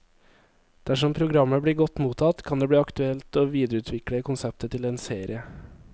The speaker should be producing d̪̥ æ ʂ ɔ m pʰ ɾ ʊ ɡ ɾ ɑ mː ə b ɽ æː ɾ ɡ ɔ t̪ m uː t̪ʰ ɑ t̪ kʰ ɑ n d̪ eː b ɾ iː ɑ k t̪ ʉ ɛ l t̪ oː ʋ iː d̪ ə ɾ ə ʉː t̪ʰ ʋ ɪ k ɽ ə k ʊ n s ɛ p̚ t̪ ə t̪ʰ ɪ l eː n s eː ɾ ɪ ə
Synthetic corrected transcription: d̪̥ æ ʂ ɔ m pʰ ɾ ʊ ɡ ɾ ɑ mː ə b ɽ iː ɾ ɡ ɔ t̪ m uː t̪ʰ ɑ t̪ kʰ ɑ n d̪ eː b ɽ iː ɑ k t̪ ʉ ɛ l t̪ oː ʋ iː d̪ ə ɾ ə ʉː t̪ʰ ʋ ɪ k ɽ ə k ʊ n s ɛ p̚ t̪ ə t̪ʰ ɪ l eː n s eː ɾ ɪ ə